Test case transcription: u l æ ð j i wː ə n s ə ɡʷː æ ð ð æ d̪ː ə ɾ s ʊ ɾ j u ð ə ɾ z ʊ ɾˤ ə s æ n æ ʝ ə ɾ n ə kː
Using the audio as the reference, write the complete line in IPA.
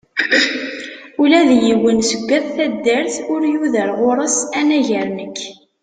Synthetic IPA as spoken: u l æ ð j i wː ə n s ə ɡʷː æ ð θ æ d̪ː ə ɾ θ ʊ ɾ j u ð ə ɾ ʁ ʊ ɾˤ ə s æ n æ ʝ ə ɾ n ə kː